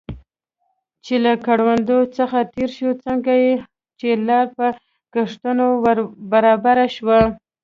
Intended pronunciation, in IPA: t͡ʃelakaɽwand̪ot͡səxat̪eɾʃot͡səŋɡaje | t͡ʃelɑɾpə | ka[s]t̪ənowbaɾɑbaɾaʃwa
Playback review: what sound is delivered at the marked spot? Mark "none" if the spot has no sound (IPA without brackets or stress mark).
ʂ